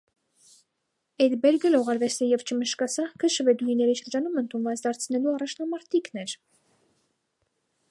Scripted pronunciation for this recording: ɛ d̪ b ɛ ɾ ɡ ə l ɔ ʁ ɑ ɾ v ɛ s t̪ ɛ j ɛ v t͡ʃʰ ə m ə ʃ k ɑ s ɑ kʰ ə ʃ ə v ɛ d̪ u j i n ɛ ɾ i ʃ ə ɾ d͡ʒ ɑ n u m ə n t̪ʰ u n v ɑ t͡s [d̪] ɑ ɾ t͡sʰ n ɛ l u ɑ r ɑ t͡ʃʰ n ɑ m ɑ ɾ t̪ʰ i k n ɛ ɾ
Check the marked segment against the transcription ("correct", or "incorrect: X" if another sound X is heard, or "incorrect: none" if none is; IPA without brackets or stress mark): correct